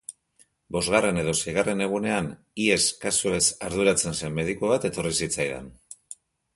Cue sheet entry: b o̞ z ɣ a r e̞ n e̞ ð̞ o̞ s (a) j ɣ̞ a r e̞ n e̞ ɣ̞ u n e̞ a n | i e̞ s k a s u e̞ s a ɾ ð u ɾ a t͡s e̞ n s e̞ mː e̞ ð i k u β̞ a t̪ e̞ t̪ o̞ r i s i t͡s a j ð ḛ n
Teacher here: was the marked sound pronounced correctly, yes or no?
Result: no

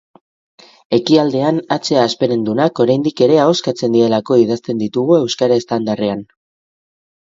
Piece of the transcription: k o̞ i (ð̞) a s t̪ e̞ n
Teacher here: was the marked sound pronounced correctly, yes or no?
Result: yes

